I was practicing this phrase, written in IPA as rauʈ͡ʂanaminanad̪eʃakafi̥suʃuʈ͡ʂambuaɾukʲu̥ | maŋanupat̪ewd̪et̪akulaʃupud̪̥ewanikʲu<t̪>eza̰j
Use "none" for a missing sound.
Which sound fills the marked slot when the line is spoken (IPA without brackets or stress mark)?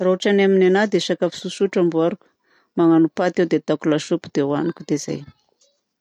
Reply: d̪